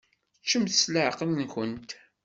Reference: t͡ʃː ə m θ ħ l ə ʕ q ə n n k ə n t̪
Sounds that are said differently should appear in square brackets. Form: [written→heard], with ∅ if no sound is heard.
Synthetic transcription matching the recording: t͡ʃː ə m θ [ħ→s] l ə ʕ q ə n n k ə n t̪